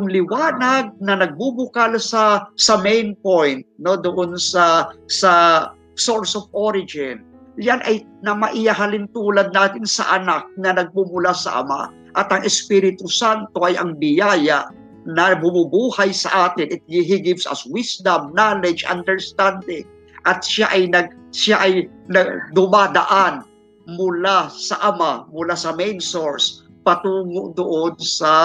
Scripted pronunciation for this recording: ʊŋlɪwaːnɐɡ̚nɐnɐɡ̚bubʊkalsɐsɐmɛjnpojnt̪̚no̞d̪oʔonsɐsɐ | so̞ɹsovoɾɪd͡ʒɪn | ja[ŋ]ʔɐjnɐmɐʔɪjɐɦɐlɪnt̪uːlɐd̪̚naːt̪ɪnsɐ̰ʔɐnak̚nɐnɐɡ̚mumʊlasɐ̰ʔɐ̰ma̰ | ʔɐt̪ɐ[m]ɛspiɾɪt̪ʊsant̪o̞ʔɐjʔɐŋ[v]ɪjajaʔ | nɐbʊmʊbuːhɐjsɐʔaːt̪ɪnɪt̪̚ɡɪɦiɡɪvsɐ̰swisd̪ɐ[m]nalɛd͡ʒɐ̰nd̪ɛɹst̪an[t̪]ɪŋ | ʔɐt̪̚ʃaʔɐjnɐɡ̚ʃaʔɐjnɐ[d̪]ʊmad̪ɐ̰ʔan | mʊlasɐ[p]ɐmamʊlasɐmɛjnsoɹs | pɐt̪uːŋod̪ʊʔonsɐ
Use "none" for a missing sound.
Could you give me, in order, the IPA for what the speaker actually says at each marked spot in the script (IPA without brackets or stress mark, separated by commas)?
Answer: n, ŋ, b, m, d̪, d̪, ʔ